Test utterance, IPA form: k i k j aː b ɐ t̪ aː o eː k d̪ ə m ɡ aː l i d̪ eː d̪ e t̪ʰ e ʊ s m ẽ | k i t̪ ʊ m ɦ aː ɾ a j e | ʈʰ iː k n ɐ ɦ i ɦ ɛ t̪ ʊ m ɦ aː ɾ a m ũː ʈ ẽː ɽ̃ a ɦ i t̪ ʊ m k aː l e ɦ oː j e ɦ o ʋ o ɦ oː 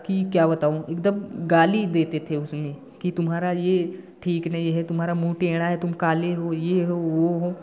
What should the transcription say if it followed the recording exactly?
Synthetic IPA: k i k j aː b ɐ t̪ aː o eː k d̪ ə m ɡ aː l i d̪ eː t̪ e t̪ʰ e ʊ s m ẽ | k i t̪ ʊ m ɦ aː ɾ a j e | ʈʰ iː k n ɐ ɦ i ɦ ɛ t̪ ʊ m ɦ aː ɾ a m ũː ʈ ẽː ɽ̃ a ɦ ɛ t̪ ʊ m k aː l e ɦ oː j e ɦ o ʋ o ɦ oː